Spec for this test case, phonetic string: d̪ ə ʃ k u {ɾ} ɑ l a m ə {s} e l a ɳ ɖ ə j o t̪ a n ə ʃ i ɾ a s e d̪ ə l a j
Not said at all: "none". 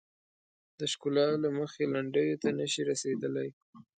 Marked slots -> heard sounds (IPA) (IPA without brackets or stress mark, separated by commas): l, x